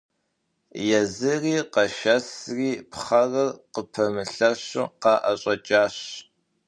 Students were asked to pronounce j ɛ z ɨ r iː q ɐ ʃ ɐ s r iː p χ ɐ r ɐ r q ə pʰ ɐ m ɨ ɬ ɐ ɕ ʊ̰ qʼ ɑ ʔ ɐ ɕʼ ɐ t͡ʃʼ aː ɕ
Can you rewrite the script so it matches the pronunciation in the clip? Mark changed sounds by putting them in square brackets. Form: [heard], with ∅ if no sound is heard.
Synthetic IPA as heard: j ɛ z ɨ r iː q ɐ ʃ ɐ s r iː p χ ɐ r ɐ r q ə pʰ ɐ m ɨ ɬ ɐ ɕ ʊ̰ [q] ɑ ʔ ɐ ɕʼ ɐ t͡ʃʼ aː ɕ